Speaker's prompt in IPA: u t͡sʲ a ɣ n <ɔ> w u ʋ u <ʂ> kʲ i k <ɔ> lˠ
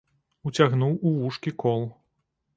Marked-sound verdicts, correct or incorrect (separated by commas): incorrect, correct, correct